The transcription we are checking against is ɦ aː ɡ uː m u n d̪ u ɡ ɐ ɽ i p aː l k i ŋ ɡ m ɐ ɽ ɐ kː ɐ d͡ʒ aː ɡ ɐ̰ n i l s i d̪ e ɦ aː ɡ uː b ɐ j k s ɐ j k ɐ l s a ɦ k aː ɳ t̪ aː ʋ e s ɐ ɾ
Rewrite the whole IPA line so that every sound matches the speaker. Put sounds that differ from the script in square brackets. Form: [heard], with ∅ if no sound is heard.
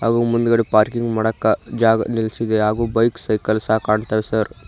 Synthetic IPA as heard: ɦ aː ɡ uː m u n d̪ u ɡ ɐ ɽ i p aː [ɾ] k i ŋ ɡ m ɐ ɽ ɐ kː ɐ d͡ʒ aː ɡ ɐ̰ n i l s i d̪ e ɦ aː ɡ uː b ɐ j k s ɐ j k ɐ l s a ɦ k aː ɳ t̪ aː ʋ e s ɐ ɾ